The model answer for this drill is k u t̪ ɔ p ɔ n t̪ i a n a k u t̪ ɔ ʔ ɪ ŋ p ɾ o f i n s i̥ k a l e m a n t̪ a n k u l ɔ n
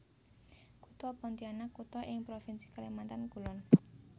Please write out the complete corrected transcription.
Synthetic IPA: k u t̪ ɔ p ɔ n t̪ i a n a k u t̪ ɔ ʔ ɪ ŋ p ɾ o f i n s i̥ k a l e m a n t̪ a n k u l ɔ n